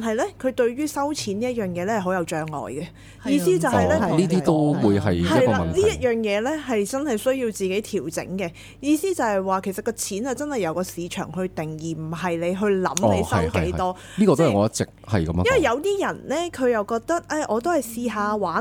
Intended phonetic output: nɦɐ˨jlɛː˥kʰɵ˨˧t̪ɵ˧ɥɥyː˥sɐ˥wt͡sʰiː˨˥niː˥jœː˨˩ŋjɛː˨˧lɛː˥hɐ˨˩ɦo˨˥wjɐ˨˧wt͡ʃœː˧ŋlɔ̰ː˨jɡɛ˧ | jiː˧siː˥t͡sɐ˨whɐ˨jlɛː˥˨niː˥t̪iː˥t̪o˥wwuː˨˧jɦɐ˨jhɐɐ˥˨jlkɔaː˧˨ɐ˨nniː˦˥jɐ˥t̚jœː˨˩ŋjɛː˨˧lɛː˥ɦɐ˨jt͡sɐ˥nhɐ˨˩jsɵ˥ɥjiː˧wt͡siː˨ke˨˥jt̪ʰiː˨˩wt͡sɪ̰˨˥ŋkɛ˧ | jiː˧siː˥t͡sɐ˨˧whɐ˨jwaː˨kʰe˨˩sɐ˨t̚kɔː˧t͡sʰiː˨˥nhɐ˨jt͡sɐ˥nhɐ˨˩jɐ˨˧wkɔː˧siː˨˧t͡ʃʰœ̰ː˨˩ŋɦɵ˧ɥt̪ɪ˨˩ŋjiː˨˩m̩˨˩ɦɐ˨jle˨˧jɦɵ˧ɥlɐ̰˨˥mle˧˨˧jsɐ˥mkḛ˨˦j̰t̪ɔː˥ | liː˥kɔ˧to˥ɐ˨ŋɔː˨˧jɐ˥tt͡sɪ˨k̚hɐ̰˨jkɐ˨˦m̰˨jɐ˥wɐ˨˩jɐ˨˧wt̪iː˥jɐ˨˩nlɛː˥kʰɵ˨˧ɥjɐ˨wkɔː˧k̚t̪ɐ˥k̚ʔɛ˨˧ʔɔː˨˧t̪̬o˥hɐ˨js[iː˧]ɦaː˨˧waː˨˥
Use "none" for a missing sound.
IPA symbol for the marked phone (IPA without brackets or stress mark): iː˧